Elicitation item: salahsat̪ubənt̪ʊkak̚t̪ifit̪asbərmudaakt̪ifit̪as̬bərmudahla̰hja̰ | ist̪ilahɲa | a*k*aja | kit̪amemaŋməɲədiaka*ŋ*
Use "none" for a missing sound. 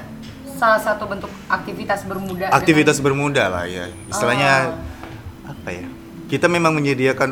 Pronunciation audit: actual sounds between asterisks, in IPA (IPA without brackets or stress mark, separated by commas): p, n